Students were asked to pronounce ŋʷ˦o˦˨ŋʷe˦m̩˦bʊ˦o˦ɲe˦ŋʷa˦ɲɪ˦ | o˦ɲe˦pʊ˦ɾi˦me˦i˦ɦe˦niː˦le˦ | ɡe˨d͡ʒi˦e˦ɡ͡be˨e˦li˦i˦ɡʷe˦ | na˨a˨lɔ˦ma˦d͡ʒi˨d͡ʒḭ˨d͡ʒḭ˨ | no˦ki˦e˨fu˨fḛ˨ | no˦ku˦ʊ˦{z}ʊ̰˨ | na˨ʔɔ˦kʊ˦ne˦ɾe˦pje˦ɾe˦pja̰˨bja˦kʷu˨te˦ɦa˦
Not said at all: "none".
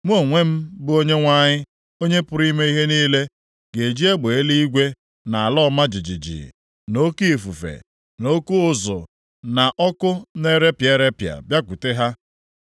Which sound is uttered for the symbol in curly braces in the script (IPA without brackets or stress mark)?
z